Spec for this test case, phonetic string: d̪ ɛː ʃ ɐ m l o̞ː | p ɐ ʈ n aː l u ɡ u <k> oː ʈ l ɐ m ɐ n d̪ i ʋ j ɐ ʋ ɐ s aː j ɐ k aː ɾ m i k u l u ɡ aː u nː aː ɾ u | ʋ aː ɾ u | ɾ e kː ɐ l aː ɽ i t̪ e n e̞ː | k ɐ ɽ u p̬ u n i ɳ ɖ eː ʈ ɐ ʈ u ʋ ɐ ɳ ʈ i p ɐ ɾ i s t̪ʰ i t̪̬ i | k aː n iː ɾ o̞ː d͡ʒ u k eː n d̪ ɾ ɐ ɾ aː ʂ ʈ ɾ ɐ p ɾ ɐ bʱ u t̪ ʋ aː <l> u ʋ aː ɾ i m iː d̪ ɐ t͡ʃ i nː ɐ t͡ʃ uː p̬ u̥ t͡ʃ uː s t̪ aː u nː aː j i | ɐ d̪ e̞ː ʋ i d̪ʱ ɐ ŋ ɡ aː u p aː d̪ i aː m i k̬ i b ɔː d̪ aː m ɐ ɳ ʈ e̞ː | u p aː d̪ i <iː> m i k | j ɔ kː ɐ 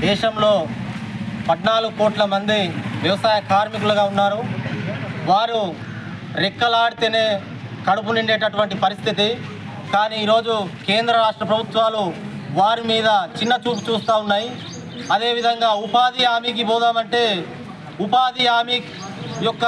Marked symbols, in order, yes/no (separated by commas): yes, yes, no